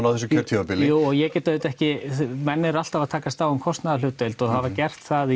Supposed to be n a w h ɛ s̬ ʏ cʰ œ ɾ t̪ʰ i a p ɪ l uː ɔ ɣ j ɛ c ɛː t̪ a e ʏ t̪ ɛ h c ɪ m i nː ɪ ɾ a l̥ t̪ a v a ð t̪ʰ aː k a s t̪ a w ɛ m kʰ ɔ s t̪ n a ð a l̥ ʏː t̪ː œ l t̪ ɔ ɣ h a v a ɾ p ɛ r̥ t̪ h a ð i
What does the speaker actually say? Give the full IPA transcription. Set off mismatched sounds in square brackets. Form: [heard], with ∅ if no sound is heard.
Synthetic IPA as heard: n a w [θ] ɛ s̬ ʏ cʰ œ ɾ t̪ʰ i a p ɪ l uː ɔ ɣ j ɛ c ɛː t̪ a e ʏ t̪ ɛ h c ɪ m [ɛ] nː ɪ ɾ a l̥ t̪ a v a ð t̪ʰ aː k a s t̪ a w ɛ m kʰ ɔ s t̪ n a ð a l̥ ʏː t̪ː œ l t̪ ɔ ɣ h a v a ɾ [c] ɛ r̥ t̪ [θ] a ð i